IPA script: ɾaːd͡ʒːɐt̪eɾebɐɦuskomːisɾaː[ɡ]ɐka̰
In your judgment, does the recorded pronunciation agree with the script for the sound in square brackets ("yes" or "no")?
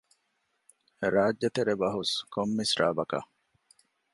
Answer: no